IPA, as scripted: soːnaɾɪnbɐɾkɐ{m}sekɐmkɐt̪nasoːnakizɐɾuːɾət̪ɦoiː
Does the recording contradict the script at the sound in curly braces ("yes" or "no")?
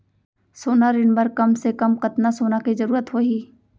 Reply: no